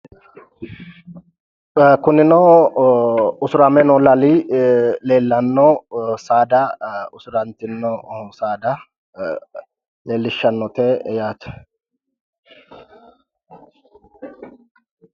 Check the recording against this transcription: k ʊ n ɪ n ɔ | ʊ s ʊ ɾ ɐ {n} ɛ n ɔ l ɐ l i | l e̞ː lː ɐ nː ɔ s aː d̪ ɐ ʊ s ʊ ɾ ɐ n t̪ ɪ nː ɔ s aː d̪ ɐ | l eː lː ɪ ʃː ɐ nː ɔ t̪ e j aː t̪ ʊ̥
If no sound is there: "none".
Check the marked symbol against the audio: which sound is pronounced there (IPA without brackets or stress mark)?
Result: m